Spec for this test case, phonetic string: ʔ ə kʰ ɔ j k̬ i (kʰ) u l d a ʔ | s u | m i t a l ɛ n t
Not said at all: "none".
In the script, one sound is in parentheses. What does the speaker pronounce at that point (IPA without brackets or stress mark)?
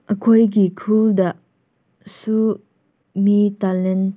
kʰ